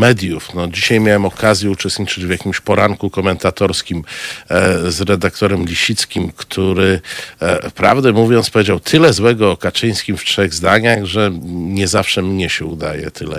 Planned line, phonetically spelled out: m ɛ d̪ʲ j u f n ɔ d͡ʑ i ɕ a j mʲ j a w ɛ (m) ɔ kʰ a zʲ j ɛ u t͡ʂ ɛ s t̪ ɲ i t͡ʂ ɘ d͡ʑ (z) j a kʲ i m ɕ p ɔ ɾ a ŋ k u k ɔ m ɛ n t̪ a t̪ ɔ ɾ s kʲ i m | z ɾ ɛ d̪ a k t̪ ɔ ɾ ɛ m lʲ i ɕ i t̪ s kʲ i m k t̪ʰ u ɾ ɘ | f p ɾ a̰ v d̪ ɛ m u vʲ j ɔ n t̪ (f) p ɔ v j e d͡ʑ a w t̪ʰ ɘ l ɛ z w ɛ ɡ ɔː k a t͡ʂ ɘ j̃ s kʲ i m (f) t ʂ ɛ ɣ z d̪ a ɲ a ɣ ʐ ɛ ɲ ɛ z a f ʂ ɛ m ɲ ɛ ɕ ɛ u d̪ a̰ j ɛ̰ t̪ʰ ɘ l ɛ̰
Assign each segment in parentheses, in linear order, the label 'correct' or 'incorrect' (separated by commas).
correct, incorrect, incorrect, correct